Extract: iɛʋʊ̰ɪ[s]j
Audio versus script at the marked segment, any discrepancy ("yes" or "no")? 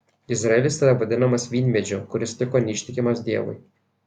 yes